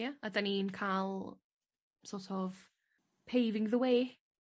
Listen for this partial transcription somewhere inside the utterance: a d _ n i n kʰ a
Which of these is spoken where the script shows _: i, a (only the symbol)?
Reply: a